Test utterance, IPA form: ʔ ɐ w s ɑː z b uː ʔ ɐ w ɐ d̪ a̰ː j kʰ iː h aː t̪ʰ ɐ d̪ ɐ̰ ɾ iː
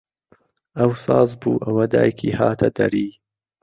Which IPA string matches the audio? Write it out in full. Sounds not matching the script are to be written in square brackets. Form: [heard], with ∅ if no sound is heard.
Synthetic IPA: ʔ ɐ w s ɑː z b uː ʔ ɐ w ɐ d̪ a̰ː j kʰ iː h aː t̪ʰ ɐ d̪ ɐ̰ ɾ iː